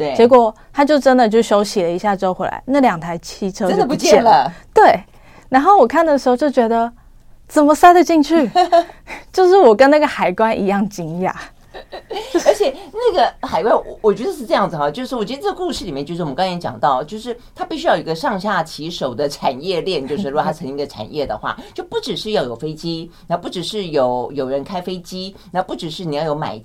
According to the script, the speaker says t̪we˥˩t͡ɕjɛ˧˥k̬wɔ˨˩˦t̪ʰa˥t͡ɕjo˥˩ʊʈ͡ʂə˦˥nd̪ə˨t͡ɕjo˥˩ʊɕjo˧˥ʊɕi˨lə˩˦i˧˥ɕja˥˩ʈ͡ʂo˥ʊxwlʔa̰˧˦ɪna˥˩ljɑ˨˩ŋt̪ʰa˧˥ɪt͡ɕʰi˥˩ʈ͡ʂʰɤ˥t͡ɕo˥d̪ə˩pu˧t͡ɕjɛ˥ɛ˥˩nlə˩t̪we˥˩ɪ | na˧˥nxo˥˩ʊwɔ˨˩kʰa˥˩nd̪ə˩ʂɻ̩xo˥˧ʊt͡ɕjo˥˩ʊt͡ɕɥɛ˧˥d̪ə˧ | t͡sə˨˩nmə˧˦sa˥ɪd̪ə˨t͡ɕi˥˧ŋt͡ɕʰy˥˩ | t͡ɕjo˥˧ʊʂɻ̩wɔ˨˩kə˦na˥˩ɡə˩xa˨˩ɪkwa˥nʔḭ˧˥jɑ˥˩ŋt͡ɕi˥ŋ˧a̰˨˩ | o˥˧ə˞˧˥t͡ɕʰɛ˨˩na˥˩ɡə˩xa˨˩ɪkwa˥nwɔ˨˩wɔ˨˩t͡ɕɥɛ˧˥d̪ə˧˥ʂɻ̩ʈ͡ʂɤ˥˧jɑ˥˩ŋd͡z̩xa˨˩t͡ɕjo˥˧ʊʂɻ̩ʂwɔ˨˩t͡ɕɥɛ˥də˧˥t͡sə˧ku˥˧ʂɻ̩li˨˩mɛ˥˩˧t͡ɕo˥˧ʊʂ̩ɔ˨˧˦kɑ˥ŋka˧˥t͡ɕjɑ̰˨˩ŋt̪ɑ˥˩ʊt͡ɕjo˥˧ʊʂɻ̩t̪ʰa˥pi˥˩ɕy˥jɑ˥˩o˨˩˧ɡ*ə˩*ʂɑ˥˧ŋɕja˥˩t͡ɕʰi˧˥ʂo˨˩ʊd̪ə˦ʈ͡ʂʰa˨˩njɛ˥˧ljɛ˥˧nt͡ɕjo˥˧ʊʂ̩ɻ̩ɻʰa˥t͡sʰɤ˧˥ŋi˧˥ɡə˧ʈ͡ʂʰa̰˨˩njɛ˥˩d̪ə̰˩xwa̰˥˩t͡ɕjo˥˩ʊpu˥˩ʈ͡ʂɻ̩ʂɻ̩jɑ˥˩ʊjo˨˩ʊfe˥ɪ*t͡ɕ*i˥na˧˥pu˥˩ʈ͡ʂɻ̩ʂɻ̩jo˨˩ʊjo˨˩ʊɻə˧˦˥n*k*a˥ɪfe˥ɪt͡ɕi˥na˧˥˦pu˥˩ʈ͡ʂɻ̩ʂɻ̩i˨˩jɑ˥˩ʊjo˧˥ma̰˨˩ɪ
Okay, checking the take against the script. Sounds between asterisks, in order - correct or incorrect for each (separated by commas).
incorrect, correct, incorrect